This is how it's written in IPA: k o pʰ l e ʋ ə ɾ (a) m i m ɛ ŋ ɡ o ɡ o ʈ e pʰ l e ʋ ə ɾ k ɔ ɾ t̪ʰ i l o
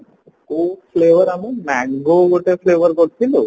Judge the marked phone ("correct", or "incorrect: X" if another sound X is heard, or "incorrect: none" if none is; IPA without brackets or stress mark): correct